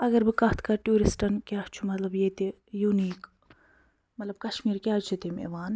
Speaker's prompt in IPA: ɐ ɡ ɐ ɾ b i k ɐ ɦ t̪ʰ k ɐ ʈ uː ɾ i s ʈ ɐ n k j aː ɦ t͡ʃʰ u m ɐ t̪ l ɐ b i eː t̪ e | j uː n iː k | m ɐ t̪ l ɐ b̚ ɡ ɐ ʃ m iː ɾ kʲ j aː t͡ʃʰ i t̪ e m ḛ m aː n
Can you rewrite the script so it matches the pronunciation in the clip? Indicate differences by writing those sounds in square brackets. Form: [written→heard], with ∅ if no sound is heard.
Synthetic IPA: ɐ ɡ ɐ ɾ b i k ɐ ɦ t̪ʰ k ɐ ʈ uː ɾ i s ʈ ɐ n k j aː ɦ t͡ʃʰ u m ɐ t̪ l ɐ b [i→j] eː t̪ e | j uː n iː k | m ɐ t̪ l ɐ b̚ [ɡ→k] ɐ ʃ m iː ɾ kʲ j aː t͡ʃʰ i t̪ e m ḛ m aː n